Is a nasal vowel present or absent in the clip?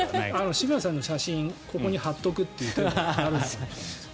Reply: present